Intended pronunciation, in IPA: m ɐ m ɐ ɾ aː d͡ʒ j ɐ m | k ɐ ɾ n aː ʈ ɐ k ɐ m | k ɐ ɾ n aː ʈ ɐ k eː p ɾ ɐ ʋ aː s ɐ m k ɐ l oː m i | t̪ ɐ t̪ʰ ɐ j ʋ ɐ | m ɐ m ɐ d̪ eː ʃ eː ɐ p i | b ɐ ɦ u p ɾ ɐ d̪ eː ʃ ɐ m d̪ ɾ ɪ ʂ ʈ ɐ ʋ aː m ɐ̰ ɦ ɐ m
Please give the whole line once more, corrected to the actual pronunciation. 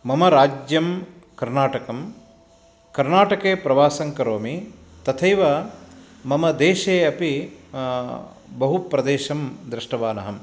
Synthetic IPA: m ɐ m ɐ ɾ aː d͡ʒ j ɐ m | k ɐ ɾ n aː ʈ ɐ k ɐ m | k ɐ ɾ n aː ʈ ɐ k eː p ɾ ɐ ʋ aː s ɐ ŋ k ɐ ɾ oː m i | t̪ ɐ t̪ʰ ɐ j ʋ ɐ | m ɐ m ɐ d̪ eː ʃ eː ɐ p i | b ɐ ɦ u p ɾ ɐ d̪ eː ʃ ɐ m d̪ ɾ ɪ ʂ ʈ ɐ ʋ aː n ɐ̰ ɦ ɐ m